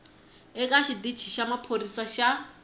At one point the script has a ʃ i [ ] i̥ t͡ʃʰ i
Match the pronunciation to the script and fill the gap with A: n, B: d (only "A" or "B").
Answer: B